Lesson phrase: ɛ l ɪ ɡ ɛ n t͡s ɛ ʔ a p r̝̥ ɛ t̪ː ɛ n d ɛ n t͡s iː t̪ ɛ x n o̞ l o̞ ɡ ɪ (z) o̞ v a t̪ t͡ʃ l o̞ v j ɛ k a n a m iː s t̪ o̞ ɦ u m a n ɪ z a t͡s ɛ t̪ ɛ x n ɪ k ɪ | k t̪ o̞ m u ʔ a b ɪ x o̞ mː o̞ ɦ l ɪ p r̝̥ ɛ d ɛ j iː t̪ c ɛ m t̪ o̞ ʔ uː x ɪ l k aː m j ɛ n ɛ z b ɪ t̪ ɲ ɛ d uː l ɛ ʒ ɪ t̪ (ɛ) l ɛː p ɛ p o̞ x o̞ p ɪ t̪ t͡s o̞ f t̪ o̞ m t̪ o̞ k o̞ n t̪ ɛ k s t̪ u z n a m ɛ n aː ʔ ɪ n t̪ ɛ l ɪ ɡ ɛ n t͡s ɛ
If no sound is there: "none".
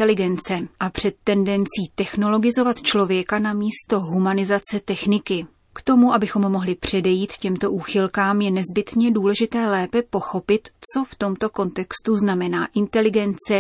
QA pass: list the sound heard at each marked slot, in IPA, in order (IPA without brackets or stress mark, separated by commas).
z, ɛː